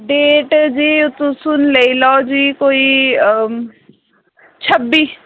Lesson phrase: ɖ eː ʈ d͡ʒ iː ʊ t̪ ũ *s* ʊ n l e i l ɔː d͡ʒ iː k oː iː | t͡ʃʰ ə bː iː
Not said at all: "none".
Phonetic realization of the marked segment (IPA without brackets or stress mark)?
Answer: s